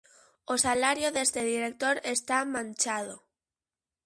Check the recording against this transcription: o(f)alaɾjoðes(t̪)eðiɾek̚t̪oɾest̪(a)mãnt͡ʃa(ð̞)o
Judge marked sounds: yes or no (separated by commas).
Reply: no, yes, yes, yes